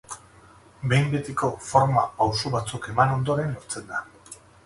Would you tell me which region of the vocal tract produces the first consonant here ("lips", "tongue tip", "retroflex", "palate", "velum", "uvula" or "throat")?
lips